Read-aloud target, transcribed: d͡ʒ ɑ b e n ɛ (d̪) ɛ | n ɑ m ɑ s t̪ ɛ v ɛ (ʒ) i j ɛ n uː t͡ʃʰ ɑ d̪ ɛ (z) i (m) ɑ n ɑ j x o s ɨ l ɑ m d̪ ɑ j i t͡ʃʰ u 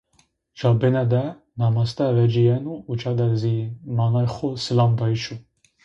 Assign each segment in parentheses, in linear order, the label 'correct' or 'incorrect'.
correct, incorrect: d͡ʒ, correct, correct

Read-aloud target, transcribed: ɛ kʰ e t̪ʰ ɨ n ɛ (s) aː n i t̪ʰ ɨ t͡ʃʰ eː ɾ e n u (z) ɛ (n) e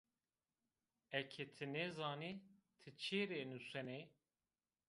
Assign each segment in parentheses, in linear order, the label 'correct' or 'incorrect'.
incorrect: z, incorrect: s, correct

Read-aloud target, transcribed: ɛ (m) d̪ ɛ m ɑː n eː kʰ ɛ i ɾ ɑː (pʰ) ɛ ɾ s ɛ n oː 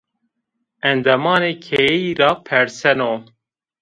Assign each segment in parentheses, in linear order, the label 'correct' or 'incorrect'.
incorrect: n, correct

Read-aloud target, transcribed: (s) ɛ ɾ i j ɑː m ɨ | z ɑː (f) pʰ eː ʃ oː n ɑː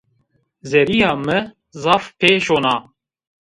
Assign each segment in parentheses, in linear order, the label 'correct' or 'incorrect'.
incorrect: z, correct

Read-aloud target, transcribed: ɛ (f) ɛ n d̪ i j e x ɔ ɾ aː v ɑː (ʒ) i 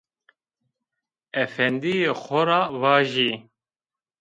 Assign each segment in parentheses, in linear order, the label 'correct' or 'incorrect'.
correct, correct

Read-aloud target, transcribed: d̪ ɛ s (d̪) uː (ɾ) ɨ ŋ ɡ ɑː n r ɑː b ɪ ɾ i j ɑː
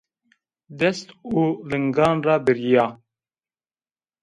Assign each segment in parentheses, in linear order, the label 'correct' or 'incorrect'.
incorrect: t̪, incorrect: l

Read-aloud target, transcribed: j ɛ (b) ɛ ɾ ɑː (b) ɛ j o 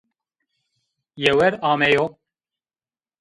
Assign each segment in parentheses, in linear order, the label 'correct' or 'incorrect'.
incorrect: w, incorrect: m

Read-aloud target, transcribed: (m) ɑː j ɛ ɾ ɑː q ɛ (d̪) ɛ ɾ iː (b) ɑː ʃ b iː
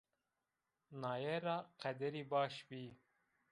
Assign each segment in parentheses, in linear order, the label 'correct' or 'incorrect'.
incorrect: n, correct, correct

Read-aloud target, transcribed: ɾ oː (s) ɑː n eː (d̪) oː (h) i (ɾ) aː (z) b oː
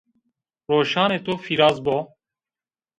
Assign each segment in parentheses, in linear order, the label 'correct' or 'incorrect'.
incorrect: ʃ, incorrect: t̪, incorrect: f, correct, correct

